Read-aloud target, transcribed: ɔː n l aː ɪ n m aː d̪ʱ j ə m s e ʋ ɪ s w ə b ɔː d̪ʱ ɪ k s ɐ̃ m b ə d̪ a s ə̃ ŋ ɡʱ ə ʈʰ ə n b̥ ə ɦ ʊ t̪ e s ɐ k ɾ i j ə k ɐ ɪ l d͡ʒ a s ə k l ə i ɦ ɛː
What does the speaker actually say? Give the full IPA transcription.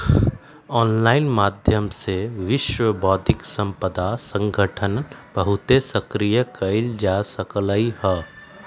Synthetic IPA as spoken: ɔː n l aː ɪ n m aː d̪ʱ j ə m s e ʋ ɪ ʃ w ə b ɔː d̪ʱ ɪ k s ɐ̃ m p ə d̪ a s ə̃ ŋ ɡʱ ə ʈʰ ə n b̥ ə ɦ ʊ t̪ e s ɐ k ɾ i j ə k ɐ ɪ l d͡ʒ a s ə k l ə i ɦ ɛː